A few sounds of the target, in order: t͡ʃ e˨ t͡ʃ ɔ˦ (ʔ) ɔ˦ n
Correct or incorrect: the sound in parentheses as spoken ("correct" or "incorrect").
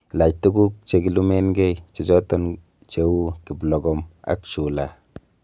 incorrect